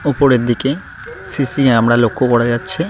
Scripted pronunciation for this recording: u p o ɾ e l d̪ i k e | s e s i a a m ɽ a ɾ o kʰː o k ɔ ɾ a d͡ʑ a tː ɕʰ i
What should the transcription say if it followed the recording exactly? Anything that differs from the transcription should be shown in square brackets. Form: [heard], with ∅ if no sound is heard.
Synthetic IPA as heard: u p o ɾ e [ɾ] d̪ i k e | s [i] s i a a m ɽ a [l] o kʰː o k ɔ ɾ a d͡ʑ a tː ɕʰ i